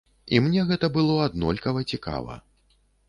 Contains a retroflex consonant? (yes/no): no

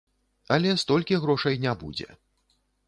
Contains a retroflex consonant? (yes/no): yes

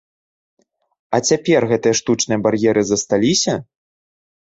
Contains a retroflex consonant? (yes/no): yes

